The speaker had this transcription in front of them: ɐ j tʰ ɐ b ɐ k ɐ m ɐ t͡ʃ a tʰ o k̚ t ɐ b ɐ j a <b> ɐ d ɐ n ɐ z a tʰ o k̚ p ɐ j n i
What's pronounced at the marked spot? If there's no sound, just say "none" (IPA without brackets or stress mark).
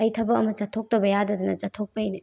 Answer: d